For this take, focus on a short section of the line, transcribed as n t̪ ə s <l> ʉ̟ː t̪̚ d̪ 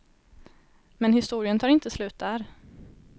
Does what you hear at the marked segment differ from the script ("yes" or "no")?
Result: no